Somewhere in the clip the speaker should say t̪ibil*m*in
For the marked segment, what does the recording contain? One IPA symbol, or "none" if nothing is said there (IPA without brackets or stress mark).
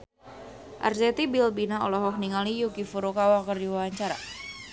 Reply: b